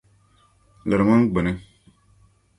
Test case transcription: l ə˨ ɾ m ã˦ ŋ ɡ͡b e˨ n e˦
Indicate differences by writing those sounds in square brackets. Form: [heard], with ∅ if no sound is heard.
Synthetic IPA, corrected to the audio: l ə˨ ɾ m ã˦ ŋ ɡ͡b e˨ n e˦